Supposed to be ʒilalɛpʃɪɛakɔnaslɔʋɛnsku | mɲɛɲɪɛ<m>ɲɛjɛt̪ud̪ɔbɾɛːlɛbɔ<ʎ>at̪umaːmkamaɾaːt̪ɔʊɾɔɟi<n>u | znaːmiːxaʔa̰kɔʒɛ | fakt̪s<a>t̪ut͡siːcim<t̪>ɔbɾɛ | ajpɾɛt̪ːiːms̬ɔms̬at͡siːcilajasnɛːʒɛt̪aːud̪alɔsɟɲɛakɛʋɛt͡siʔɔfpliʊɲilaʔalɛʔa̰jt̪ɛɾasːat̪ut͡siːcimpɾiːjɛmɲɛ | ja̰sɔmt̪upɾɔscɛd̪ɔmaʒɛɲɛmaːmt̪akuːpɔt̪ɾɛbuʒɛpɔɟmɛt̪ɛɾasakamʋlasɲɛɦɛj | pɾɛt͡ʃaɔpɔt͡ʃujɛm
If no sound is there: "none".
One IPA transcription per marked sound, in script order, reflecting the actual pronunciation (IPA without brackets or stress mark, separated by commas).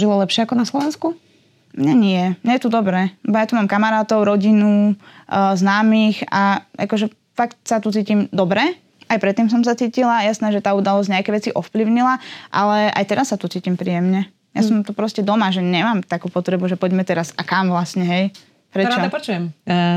m, j, n, a, d̪